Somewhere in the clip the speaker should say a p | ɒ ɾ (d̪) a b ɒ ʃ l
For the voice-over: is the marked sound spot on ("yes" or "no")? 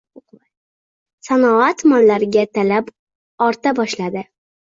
no